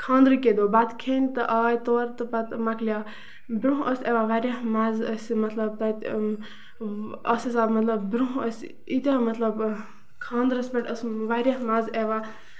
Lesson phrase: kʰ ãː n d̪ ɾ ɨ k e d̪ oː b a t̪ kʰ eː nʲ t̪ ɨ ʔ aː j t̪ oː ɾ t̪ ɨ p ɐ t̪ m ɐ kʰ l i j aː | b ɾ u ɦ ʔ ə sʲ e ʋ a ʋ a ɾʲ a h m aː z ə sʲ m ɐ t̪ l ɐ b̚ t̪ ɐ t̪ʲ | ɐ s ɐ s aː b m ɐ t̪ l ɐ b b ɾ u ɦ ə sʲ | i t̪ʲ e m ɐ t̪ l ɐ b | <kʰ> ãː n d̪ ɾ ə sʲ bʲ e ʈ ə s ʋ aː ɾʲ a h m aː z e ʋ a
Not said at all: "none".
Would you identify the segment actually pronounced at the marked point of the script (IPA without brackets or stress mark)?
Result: kʰ